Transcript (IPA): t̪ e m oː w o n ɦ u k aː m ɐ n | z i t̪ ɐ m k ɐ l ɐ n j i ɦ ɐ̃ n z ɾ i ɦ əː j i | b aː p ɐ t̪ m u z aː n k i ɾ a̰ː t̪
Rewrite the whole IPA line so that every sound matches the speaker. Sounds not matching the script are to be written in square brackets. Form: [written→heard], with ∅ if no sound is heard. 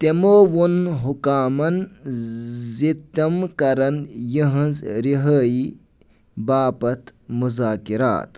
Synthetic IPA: t̪ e m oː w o n ɦ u k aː m ɐ n | z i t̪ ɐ m k ɐ [l→ɾ] ɐ n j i ɦ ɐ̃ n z ɾ i ɦ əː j i | b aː p ɐ t̪ m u z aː [n→∅] k i ɾ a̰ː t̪

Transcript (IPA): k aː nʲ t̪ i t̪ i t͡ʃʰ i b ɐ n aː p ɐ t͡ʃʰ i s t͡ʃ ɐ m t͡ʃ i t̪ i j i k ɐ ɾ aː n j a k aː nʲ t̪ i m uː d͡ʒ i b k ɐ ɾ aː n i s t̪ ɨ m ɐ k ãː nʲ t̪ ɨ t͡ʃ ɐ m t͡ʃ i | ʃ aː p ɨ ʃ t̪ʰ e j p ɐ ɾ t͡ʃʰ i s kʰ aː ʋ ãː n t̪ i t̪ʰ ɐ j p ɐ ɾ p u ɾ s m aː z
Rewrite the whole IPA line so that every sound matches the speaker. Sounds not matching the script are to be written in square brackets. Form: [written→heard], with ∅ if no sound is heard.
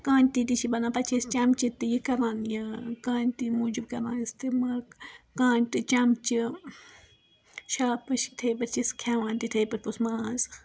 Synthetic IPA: k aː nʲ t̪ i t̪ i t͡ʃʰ i b ɐ n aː p ɐ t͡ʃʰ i s t͡ʃ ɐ m t͡ʃ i t̪ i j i k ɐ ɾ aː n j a k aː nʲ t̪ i m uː d͡ʒ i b k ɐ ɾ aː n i s t̪ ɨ m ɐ k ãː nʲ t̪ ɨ t͡ʃ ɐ m t͡ʃ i | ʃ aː p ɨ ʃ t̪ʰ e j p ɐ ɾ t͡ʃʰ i s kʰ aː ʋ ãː n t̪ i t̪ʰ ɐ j p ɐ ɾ p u [ɾ→∅] s m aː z

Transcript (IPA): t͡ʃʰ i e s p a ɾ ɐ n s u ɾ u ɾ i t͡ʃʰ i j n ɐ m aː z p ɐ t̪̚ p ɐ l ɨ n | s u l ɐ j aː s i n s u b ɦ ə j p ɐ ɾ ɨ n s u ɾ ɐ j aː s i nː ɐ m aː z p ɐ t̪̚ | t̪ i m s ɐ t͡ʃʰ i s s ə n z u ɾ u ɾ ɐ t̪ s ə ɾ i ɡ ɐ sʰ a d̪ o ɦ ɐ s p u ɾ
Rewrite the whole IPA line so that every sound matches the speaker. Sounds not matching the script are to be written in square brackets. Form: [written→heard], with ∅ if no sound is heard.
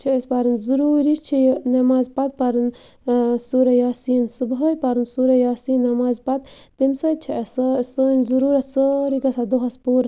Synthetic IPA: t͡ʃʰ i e s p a ɾ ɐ n [s→z] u ɾ u ɾ i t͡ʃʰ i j n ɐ m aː z p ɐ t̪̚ p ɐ [l→ɾ] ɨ n | s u [l→ɾ] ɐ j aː s i n s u b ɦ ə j p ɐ ɾ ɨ n s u ɾ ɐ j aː s i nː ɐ m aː z p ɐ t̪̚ | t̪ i m s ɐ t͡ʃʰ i s s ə n z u ɾ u ɾ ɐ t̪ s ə ɾ i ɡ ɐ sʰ a d̪ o ɦ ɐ s p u ɾ

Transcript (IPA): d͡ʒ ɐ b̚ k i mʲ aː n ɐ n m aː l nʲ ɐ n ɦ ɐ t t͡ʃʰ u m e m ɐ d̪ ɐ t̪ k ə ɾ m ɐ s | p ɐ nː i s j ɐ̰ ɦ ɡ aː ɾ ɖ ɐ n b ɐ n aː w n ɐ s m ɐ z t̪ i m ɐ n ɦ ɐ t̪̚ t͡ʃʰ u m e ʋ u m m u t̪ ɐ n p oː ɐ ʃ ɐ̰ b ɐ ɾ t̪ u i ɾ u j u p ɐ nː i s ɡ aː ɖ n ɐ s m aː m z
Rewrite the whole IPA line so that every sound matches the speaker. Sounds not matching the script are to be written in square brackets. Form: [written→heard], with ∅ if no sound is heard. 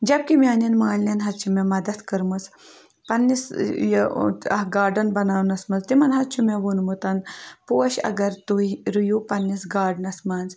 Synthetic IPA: d͡ʒ ɐ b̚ k i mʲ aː n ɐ n m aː l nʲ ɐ n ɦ ɐ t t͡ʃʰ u m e m ɐ d̪ ɐ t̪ k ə ɾ m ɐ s | p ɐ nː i s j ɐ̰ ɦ ɡ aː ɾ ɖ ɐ n b ɐ n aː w n ɐ s m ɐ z t̪ i m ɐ n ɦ ɐ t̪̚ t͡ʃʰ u m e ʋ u [m→n] m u t̪ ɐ n p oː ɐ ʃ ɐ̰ [b→ɡ] ɐ ɾ t̪ u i ɾ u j u p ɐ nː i s ɡ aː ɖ n ɐ s m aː [m→n] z

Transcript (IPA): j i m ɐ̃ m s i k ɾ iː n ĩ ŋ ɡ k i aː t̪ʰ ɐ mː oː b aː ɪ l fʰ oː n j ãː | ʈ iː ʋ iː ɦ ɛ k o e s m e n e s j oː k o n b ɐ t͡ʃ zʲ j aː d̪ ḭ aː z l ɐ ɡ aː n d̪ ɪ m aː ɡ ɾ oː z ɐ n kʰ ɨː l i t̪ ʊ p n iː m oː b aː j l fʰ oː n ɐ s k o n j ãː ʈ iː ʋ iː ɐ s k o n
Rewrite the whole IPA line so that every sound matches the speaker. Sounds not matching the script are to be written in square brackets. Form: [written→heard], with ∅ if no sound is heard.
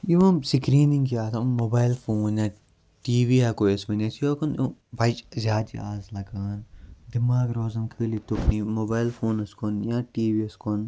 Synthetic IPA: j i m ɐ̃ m s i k ɾ iː n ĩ ŋ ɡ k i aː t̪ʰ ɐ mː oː b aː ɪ l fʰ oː n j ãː | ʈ iː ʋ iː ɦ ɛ k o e s m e n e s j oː k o n b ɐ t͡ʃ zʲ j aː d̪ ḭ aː z l ɐ ɡ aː n d̪ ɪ m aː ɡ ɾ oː z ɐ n kʰ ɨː l i t̪ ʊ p n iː m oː b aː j l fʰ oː n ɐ s k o n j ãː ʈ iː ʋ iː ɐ s k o n

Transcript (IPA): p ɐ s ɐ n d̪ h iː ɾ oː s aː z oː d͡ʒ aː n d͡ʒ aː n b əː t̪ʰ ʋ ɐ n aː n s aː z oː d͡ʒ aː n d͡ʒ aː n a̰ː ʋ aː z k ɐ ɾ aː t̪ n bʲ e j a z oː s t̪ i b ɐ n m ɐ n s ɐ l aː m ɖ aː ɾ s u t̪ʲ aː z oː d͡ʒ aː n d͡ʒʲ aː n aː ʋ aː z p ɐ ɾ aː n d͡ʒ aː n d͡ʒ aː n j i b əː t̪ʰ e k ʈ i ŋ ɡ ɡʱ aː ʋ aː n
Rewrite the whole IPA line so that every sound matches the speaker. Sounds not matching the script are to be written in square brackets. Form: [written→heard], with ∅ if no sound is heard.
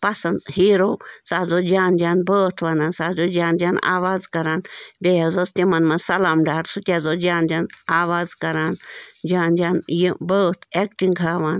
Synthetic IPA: p ɐ s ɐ n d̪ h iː ɾ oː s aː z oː d͡ʒ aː n d͡ʒ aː n b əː t̪ʰ ʋ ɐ n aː n s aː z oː d͡ʒ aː n d͡ʒ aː n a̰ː ʋ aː z k ɐ ɾ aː [t̪→∅] n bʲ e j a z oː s t̪ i [b→m] ɐ n m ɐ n s ɐ l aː m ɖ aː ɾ s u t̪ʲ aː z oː d͡ʒ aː n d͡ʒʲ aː n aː ʋ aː z [p→k] ɐ ɾ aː n d͡ʒ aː n d͡ʒ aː n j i b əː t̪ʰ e k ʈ i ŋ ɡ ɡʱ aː ʋ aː n

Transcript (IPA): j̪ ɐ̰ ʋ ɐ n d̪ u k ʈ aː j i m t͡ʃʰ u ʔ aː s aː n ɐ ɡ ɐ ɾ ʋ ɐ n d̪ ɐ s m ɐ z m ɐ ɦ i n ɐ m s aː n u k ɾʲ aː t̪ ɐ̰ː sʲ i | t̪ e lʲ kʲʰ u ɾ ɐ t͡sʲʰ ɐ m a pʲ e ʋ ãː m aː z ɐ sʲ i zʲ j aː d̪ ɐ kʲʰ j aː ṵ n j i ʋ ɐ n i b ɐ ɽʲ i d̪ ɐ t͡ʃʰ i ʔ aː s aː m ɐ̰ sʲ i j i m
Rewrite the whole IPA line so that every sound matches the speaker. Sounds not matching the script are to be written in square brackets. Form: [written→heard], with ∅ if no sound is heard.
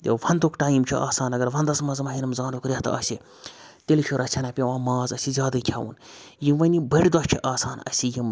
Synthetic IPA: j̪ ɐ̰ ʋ ɐ n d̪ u k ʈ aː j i m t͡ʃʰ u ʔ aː s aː n ɐ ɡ ɐ ɾ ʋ ɐ n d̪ ɐ s m ɐ z m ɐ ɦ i n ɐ m [s→z] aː n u k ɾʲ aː t̪ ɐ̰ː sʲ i | t̪ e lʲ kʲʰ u ɾ ɐ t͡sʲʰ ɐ [m→n] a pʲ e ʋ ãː m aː z ɐ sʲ i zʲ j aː d̪ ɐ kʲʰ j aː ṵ n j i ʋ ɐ n i b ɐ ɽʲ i d̪ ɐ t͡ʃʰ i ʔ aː s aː [m→n] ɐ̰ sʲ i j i m

